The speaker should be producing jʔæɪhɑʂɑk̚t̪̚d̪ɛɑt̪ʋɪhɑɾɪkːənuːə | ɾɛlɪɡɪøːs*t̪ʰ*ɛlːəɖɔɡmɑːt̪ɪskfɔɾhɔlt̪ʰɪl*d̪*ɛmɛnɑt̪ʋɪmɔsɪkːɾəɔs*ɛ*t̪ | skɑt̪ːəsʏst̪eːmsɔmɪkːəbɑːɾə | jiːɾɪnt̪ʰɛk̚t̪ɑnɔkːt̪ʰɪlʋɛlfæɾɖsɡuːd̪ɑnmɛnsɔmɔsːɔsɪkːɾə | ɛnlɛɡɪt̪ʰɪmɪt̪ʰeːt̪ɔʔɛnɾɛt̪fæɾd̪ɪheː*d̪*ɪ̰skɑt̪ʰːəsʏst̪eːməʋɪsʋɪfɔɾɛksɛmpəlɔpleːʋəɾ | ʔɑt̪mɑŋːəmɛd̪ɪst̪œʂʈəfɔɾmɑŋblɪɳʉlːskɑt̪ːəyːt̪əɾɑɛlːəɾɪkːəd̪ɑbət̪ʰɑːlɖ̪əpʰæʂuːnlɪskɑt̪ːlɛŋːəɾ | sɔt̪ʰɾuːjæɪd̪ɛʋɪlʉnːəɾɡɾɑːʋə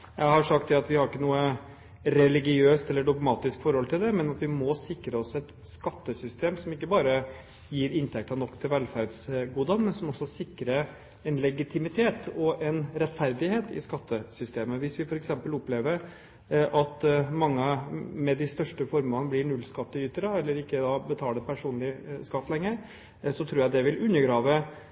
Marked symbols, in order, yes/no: no, yes, yes, no

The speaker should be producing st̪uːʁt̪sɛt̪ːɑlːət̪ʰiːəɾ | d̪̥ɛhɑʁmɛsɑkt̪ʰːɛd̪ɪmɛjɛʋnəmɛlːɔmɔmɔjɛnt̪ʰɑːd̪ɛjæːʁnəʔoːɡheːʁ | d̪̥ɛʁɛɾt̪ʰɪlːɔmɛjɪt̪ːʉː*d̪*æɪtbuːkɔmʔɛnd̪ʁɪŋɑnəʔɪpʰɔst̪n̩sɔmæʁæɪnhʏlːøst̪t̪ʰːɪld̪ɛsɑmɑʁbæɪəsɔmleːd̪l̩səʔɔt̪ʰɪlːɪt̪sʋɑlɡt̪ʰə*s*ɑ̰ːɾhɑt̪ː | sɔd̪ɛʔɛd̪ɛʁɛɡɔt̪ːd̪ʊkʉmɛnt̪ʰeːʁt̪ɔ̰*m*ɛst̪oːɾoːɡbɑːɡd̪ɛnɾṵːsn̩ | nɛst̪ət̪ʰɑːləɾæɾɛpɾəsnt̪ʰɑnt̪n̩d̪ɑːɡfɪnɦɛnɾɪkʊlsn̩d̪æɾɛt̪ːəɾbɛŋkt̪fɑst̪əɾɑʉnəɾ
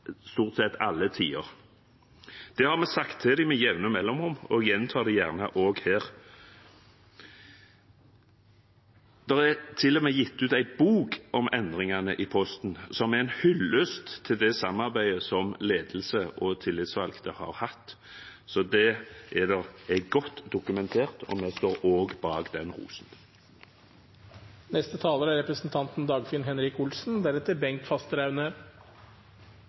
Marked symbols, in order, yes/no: no, no, yes

